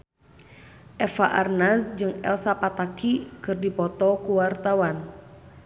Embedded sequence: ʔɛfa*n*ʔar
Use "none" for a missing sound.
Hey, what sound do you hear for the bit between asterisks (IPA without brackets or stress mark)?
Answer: none